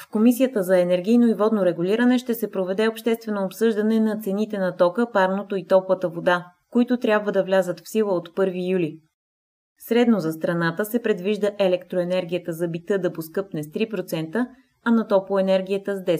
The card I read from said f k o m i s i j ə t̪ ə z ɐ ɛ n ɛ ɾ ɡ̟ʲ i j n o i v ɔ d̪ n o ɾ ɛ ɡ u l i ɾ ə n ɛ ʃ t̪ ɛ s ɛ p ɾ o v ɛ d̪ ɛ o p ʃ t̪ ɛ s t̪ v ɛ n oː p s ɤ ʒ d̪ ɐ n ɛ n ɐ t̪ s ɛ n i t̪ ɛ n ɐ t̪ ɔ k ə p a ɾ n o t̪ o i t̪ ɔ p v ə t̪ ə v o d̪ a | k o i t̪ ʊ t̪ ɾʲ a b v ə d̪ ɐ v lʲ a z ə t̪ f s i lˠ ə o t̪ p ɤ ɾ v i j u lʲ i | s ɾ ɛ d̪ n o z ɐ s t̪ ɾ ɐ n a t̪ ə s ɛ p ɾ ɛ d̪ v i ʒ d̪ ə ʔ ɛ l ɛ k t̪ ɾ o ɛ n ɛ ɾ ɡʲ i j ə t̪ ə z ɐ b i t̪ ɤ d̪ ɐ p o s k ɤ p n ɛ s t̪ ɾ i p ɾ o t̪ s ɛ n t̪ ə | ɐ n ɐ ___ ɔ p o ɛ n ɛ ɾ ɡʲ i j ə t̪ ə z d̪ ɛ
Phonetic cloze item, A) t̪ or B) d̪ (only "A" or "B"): A